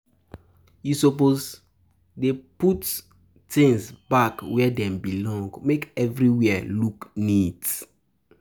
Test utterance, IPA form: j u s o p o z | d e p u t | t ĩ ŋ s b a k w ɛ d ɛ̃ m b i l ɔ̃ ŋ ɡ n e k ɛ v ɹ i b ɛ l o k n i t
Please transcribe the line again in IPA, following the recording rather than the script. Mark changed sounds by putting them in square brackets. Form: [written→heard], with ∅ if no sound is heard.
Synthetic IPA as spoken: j u s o p o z | d e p u t | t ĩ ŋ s b a k w ɛ d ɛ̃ m b i l ɔ̃ ŋ ɡ [n→m] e k ɛ v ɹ i [b→w] ɛ l [o→u] k n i t